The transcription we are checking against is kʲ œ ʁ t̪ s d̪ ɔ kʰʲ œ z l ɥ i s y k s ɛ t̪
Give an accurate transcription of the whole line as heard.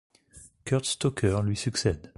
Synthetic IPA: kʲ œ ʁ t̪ s t̪ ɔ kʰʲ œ ʁ l ɥ i s y k s ɛ d̪

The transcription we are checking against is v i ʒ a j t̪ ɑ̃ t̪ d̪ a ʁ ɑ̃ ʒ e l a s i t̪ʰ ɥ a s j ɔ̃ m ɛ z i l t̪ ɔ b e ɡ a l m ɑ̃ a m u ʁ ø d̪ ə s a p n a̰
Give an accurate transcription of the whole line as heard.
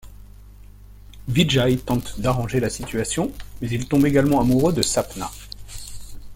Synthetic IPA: v i ʒ a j t̪ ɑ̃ t̪ d̪ a ʁ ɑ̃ ʒ e l a s i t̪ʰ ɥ a s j ɔ̃ m ɛ z i l t̪ ɔ̃ b e ɡ a l m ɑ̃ a m u ʁ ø d̪ ə s a p n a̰

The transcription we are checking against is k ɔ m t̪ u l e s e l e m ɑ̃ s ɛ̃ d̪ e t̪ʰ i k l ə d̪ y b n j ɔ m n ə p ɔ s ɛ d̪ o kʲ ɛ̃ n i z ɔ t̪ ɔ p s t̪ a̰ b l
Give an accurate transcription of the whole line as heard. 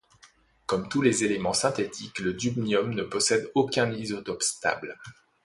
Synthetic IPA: k ɔ m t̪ u l e z e l e m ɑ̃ s ɛ̃ t̪ e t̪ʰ i k l ə d̪ y b n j ɔ m n ə p ɔ s ɛ d̪ o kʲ ɛ̃ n i z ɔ t̪ ɔ p s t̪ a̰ b l

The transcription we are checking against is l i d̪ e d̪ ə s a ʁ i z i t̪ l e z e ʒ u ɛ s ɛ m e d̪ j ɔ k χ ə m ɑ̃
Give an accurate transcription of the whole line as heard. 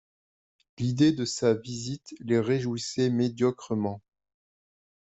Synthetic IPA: l i d̪ e d̪ ə s a v i z i t̪ l e ʁ e ʒ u i s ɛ m e d̪ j ɔ k χ ə m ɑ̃

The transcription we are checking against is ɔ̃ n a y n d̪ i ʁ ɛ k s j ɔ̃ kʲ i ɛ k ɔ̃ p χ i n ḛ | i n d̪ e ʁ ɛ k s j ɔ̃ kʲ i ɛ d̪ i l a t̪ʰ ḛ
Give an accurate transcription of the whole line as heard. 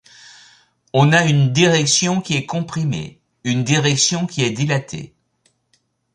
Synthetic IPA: ɔ̃ n a y n d̪ i ʁ ɛ k s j ɔ̃ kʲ i ɛ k ɔ̃ p χ i m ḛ | y n d̪ i ʁ ɛ k s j ɔ̃ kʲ i ɛ d̪ i l a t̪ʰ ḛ

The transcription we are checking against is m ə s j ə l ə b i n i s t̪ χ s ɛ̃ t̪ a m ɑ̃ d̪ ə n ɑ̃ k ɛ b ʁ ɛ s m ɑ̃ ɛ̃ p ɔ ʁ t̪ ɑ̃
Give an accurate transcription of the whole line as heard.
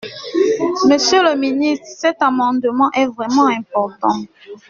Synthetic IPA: m ə s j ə l ə m i n i s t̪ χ s ɛ t̪ a m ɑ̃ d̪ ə m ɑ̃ ʔ ɛ v ʁ ɛ m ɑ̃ ɛ̃ p ɔ ʁ t̪ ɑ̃

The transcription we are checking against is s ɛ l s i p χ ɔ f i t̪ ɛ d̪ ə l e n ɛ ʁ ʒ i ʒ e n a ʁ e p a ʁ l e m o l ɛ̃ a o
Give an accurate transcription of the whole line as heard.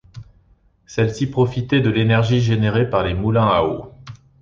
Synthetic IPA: s ɛ l s i p χ ɔ f i t̪ ɛ d̪ ə l e n ɛ ʁ ʒ i ʒ e n e ʁ e p a ʁ l e m u l ɛ̃ a o

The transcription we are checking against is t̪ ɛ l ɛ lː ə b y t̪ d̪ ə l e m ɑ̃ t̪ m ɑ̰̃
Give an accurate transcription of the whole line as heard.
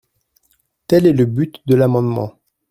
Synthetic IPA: t̪ ɛ l ɛ l ə b y t̪ d̪ ə l a m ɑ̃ d̪ m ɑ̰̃

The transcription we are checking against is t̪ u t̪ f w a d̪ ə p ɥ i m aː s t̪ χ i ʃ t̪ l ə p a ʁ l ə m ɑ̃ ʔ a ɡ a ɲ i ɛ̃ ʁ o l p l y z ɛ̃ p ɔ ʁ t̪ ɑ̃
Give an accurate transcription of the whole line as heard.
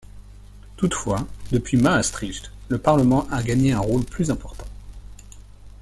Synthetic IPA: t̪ u t̪ f w a d̪ ə p ɥ i m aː s t̪ χ i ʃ t̪ l ə p a ʁ l ə m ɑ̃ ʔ a ɡ a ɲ e ɛ̃ ʁ o l p l y z ɛ̃ p ɔ ʁ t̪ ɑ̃

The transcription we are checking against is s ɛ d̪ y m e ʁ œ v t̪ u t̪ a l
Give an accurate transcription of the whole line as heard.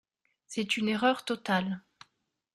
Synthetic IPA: s ɛ t̪ y n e ʁ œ ʁ t̪ ɔ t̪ a l

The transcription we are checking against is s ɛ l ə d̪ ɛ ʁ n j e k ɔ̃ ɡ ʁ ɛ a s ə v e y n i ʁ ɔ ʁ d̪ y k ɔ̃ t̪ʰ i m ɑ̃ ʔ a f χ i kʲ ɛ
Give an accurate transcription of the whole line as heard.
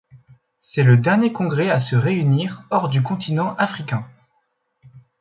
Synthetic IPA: s ɛ l ə d̪ ɛ ʁ n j e k ɔ̃ ɡ ʁ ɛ a s ə ʁ e y n i ʁ ɔ ʁ d̪ y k ɔ̃ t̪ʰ i n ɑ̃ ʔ a f χ i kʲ ɛ̃

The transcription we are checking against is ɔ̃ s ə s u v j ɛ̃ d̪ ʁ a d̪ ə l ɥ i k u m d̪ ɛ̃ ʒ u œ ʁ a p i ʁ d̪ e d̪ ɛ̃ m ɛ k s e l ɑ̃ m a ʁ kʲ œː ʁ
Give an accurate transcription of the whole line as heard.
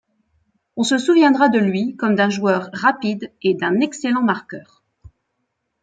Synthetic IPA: ɔ̃ s ə s u v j ɛ̃ d̪ ʁ a d̪ ə l ɥ i k ɔ m d̪ ɛ̃ ʒ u œ ʁː a p i d̪ e d̪ ɛ̃ n ɛ k s e l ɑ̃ m a ʁ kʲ œː ʁ

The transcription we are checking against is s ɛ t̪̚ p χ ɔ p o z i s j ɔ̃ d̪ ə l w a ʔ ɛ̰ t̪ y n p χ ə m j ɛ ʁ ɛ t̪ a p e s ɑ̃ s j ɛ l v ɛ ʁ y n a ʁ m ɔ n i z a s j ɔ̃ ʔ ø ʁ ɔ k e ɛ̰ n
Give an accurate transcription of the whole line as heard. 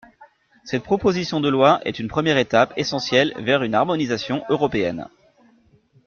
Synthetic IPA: s ɛ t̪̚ p χ ɔ p o z i s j ɔ̃ d̪ ə l w a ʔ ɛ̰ t̪ y n p χ ə m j ɛ ʁ e t̪ a p e s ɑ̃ s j ɛ l v ɛ ʁ y n a ʁ m ɔ n i z a s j ɔ̃ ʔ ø ʁ ɔ p e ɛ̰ n

